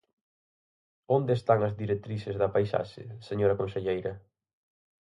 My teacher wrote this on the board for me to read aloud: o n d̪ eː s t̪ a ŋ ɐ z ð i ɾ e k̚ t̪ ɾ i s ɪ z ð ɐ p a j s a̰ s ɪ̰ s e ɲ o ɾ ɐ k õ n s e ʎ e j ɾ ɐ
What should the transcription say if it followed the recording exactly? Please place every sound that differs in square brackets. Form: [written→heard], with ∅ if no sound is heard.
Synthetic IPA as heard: o n d̪ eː s t̪ a ŋ ɐ z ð i ɾ e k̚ t̪ ɾ i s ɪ z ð ɐ p a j s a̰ [s→ʃ] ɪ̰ s e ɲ o ɾ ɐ k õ n s e ʎ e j ɾ ɐ